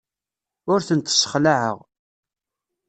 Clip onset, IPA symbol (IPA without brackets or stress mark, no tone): ʊ